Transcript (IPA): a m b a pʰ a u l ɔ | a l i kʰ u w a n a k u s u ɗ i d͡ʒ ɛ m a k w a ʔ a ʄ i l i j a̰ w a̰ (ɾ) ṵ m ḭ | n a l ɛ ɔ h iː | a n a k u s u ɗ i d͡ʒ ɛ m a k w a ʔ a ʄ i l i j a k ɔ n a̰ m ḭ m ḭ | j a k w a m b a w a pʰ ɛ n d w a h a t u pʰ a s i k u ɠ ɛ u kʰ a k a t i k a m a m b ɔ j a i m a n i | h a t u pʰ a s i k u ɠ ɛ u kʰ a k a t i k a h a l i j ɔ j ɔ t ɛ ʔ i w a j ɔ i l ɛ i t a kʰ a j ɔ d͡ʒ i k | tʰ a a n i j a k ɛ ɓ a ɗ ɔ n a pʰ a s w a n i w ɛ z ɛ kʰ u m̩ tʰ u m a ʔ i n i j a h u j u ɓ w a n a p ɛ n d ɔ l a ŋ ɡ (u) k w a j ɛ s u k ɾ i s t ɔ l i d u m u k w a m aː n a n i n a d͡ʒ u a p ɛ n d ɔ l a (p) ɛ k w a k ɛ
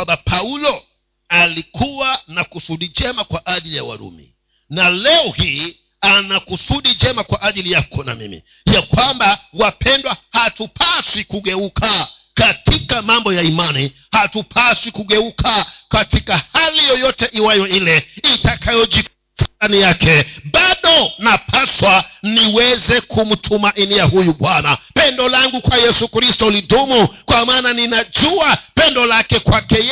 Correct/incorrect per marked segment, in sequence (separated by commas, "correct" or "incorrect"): correct, correct, incorrect